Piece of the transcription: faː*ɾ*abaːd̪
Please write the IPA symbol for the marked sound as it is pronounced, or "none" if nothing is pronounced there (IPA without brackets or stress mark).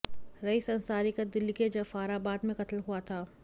ɾ